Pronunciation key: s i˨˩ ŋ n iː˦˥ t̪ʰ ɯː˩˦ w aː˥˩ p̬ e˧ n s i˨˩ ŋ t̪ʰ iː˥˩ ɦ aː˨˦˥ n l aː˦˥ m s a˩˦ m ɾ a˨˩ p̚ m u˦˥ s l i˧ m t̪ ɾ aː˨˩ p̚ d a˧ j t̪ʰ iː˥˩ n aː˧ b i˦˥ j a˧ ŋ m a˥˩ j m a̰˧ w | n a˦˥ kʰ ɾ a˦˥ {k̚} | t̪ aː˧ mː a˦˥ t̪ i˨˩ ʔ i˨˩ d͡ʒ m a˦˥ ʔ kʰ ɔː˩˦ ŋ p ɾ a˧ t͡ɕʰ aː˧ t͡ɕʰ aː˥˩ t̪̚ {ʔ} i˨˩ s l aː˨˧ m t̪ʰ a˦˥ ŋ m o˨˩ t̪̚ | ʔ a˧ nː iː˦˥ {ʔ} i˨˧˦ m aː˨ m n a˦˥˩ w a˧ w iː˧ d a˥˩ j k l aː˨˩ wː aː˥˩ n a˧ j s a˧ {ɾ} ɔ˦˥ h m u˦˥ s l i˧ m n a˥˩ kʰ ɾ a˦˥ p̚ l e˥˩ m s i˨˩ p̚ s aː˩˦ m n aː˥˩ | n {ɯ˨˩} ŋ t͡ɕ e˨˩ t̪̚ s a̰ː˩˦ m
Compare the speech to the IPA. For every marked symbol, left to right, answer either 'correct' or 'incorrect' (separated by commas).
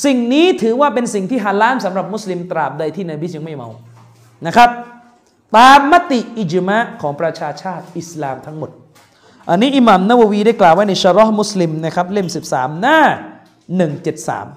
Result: incorrect, correct, correct, correct, correct